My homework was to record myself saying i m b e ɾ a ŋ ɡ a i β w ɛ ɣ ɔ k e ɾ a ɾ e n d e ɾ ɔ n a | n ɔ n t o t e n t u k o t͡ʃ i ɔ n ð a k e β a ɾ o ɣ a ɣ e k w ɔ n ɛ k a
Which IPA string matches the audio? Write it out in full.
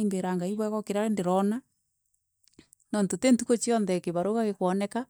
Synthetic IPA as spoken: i m b e ɾ a ŋ ɡ a i β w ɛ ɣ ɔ k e ɾ a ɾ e n d e ɾ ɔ n a | n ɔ n t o t e n t u k o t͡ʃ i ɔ n ð ɛ k e β a ɾ o ɣ a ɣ e k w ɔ n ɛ k a